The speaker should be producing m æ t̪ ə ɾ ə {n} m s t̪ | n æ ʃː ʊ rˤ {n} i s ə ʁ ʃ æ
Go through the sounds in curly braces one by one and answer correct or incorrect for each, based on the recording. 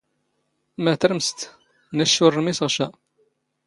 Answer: incorrect: none, incorrect: m

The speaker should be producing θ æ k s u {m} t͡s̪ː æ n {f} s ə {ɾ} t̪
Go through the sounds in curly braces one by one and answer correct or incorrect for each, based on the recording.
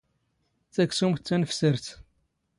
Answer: correct, correct, correct

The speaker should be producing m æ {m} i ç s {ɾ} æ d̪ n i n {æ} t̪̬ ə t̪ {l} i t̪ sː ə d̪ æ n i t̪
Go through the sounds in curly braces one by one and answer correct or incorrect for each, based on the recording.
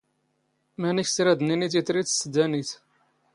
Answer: incorrect: n, correct, incorrect: i, incorrect: ɾ

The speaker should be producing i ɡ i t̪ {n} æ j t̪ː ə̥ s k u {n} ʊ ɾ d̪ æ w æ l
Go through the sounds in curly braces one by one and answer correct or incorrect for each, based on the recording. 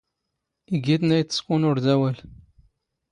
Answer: correct, correct

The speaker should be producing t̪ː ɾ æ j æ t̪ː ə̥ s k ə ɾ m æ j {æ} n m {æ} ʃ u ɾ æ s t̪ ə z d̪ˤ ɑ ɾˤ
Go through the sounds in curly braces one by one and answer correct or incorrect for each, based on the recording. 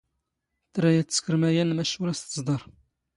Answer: correct, correct

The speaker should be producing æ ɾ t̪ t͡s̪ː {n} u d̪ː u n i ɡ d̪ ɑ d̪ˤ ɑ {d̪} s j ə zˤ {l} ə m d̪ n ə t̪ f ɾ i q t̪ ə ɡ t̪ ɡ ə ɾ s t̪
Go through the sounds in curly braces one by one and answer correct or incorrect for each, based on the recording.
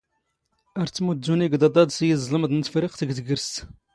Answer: incorrect: m, correct, correct

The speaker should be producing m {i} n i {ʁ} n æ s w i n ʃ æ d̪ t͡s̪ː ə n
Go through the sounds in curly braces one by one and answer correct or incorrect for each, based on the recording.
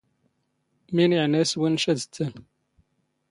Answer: correct, incorrect: ʕ

